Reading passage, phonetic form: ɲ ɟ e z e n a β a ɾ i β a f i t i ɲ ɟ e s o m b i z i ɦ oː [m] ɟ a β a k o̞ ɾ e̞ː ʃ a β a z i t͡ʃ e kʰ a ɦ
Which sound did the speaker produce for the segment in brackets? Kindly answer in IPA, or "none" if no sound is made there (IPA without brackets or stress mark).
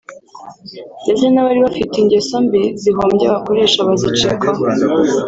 m